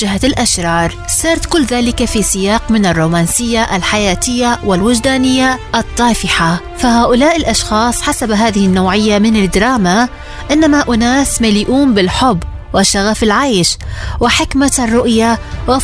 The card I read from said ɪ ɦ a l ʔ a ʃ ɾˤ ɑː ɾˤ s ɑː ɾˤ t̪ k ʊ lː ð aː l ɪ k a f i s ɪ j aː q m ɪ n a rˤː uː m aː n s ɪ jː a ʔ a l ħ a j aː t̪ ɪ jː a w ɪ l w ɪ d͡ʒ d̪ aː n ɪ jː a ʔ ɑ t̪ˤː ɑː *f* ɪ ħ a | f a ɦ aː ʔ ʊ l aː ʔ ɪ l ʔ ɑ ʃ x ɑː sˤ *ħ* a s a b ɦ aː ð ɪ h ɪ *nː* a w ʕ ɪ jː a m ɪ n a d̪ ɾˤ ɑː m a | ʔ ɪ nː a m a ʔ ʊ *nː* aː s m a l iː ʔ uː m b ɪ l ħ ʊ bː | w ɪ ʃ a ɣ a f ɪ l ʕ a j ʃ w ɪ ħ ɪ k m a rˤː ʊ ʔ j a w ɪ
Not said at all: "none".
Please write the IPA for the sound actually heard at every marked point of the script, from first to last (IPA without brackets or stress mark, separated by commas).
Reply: f, ħ, nː, n